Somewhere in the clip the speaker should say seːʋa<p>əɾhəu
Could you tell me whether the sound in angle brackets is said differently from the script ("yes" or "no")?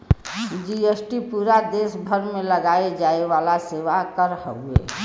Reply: yes